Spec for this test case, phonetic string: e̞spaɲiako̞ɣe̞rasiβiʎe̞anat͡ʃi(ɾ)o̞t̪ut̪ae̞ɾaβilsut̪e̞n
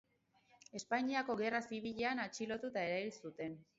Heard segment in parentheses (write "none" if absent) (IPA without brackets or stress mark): l